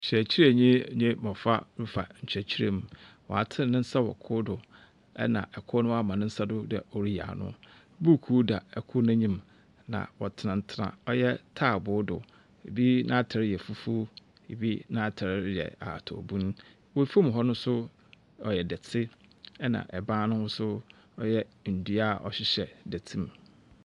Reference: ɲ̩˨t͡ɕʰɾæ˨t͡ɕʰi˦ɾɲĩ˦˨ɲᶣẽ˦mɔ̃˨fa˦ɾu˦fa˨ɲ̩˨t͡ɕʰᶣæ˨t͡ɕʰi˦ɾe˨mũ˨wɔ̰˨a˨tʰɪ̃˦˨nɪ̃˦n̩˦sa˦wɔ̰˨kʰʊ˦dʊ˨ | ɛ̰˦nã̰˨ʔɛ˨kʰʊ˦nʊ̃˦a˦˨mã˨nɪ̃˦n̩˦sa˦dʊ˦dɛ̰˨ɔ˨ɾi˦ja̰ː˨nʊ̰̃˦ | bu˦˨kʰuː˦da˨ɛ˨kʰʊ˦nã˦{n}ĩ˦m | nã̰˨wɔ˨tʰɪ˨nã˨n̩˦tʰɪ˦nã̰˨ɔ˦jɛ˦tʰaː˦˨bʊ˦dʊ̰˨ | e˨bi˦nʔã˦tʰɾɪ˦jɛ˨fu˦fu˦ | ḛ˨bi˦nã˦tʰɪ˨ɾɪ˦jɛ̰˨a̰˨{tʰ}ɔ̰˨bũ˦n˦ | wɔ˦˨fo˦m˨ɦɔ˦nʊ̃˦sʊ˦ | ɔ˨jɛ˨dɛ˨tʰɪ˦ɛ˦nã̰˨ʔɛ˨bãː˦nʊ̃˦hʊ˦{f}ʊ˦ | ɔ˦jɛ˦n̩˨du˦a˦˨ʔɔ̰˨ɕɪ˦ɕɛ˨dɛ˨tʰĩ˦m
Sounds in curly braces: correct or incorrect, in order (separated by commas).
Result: incorrect, correct, incorrect